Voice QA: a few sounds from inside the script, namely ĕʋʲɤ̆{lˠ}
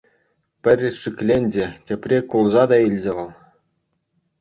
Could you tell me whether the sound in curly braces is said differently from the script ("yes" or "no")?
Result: no